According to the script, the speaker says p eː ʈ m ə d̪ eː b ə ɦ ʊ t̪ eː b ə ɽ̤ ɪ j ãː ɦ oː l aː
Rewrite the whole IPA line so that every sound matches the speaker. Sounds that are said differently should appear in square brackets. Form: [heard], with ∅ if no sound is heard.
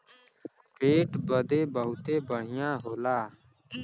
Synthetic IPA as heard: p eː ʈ [b] ə d̪ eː b ə ɦ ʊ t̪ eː b ə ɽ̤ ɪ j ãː ɦ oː l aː